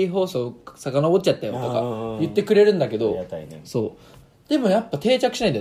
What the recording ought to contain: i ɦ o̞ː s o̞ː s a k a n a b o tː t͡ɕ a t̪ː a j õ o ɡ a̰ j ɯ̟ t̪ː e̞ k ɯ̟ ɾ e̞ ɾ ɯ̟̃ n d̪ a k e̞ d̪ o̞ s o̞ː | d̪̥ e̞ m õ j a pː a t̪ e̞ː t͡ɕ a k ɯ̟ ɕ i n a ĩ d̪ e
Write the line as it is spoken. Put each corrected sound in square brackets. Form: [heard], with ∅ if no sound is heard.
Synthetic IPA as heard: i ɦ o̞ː s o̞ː s a k a n a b o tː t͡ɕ a t̪ː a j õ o [k] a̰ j ɯ̟ t̪ː e̞ k ɯ̟ ɾ e̞ ɾ ɯ̟̃ n d̪ a k e̞ d̪ o̞ s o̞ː | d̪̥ e̞ m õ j a pː a t̪ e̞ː t͡ɕ a k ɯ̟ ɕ i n a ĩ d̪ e